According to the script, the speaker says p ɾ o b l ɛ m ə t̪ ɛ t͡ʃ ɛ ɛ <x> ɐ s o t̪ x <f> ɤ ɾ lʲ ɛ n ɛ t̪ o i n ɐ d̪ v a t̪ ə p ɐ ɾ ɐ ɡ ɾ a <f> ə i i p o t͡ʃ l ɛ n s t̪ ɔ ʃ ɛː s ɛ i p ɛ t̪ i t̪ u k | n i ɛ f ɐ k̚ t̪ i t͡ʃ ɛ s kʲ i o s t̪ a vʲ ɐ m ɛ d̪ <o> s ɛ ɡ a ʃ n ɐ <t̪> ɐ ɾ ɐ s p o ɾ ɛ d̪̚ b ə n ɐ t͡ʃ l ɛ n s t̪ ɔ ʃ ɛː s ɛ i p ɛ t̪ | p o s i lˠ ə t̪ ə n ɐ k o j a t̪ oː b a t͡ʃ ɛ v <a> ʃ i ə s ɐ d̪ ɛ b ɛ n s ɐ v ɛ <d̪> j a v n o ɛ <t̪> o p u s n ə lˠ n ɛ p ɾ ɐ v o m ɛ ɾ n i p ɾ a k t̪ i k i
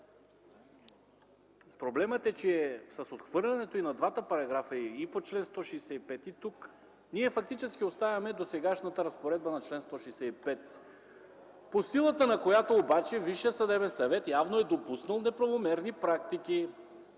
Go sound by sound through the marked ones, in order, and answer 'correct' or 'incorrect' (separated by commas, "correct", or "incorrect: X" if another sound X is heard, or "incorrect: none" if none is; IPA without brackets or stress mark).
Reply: incorrect: s, incorrect: v, correct, correct, correct, incorrect: i, incorrect: t̪, incorrect: d̪